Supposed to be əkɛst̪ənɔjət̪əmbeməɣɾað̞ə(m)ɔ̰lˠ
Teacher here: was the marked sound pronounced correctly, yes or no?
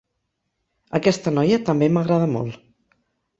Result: yes